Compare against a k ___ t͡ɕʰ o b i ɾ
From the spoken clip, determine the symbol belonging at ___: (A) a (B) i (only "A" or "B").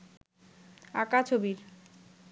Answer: A